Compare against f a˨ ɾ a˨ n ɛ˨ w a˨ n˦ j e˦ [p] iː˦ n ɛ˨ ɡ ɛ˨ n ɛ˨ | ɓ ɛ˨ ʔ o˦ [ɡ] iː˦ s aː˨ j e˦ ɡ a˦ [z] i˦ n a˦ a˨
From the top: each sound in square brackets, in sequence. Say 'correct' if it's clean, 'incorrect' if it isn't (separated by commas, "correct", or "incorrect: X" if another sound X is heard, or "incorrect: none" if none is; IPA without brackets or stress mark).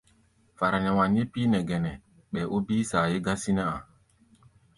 correct, incorrect: b, incorrect: s